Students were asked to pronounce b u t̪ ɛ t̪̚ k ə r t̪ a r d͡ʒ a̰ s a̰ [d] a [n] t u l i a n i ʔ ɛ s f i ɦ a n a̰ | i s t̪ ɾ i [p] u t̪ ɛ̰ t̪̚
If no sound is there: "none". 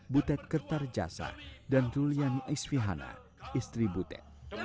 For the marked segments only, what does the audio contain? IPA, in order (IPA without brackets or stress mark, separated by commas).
d, n, b